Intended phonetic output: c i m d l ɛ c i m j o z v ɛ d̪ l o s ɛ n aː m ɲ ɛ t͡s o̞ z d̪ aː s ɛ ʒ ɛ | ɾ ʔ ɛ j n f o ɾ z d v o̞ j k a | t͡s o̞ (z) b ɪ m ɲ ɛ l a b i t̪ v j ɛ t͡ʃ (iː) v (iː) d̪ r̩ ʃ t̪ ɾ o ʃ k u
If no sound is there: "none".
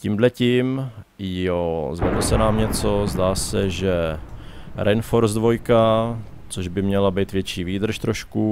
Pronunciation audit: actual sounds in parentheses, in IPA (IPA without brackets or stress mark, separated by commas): ʒ, iː, iː